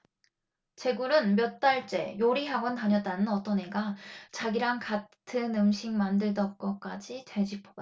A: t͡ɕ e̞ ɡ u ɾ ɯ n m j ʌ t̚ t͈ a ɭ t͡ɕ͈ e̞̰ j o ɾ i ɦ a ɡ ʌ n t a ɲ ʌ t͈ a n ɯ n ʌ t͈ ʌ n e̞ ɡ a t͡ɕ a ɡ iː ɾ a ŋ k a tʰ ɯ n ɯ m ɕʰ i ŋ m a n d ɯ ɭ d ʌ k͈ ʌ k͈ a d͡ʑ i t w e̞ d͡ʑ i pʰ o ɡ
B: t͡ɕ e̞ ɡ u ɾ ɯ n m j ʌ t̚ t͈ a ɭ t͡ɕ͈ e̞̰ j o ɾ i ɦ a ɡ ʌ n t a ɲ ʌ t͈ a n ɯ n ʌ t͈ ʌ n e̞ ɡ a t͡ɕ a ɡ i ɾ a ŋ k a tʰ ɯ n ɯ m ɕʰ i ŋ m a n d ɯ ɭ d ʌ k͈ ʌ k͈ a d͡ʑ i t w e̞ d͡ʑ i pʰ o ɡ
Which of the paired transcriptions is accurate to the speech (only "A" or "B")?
B